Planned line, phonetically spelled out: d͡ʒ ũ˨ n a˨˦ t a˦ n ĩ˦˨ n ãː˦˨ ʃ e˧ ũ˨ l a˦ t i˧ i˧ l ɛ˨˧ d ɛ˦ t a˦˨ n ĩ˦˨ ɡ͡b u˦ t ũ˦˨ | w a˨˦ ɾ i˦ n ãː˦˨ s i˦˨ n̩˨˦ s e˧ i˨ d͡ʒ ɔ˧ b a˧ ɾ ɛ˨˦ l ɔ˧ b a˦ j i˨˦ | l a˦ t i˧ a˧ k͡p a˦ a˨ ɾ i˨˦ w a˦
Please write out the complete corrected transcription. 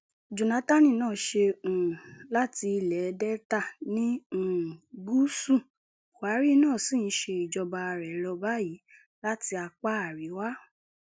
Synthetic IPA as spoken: d͡ʒ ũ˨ n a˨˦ t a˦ n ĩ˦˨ n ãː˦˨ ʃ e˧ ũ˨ l a˦ t i˧ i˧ l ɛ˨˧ d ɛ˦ t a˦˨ n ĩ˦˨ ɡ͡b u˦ s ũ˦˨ | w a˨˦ ɾ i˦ n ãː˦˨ s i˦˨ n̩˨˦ ʃ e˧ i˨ d͡ʒ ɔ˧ b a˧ ɾ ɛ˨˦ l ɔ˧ b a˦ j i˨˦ | l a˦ t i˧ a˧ k͡p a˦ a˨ ɾ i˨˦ w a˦